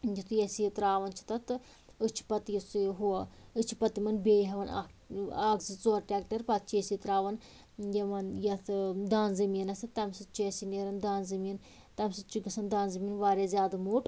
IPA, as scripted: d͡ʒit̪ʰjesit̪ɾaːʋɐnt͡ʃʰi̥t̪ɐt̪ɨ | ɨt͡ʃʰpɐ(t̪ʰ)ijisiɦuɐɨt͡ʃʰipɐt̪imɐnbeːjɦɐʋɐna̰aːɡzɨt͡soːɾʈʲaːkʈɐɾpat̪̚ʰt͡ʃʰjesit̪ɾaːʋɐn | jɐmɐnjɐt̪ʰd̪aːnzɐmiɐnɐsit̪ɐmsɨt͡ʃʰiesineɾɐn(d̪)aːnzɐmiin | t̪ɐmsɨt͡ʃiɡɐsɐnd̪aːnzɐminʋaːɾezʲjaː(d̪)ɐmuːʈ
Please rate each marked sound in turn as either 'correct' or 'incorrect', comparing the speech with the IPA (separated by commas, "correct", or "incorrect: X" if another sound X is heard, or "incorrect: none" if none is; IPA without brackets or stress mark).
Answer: incorrect: t̪, correct, correct